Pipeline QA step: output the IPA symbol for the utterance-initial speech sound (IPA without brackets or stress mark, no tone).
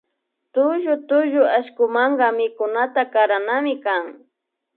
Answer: t̪